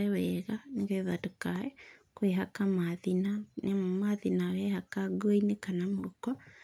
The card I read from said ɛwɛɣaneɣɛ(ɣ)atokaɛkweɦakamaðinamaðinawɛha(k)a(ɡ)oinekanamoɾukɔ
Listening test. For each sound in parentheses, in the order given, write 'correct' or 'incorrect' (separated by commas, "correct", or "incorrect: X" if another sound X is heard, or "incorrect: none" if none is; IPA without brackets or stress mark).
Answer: incorrect: ð, correct, correct